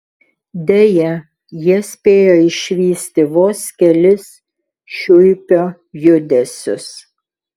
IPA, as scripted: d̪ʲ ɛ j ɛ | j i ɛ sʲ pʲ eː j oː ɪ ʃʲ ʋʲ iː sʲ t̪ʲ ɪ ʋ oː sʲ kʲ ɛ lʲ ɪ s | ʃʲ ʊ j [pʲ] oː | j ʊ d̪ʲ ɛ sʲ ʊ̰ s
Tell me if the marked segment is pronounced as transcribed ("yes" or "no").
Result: yes